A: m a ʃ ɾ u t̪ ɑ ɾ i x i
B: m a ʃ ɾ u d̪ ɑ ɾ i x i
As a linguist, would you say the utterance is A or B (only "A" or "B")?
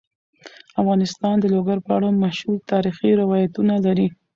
A